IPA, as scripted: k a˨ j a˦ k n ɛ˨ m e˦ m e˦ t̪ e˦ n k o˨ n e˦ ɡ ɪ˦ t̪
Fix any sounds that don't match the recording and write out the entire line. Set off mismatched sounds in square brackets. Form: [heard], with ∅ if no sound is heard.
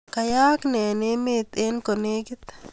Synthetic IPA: k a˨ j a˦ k n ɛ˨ [n] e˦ m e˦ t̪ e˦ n k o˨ n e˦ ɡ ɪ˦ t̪